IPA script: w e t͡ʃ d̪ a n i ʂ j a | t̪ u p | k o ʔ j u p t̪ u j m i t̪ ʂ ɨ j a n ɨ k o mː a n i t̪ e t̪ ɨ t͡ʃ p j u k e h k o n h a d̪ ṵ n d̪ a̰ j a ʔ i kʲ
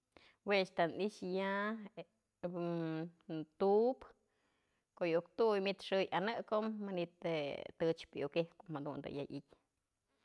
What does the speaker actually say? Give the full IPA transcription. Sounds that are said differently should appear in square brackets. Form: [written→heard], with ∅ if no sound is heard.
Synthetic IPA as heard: w e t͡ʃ [d̪→t̪] a n i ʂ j a | t̪ u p | k o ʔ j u [p→k] t̪ u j m i t̪ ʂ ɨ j a n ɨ k o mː a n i t̪ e t̪ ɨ t͡ʃ p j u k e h k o [n→m] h a d̪ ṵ n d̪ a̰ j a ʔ i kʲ